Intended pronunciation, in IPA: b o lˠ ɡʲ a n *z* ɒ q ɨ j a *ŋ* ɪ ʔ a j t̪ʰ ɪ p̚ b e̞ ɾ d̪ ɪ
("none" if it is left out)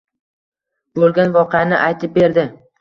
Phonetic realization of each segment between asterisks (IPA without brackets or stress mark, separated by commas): v, n